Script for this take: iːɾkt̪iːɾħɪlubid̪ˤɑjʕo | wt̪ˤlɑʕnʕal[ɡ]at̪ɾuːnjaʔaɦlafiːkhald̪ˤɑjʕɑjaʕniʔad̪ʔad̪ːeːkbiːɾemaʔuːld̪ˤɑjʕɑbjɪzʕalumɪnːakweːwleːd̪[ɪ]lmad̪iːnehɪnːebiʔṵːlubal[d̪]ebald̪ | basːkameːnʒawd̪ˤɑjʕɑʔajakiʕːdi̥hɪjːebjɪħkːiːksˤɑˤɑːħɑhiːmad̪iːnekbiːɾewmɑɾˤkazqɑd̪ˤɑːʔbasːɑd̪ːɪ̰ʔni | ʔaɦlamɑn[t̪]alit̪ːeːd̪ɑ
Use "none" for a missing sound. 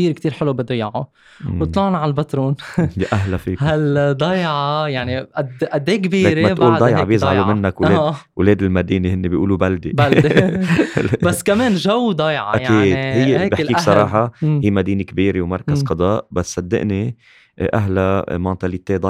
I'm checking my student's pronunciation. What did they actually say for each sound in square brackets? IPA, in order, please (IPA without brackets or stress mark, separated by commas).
b, ɪ, d̪, t̪